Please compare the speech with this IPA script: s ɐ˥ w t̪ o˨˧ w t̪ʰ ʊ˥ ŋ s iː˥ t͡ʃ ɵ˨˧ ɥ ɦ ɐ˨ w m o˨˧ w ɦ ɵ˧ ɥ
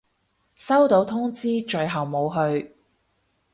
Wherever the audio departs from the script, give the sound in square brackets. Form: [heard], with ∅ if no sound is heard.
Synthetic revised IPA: s ɐ˥ w t̪ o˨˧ w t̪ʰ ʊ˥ ŋ [t͡s] iː˥ t͡ʃ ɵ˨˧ ɥ ɦ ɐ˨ w m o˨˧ w ɦ ɵ˧ ɥ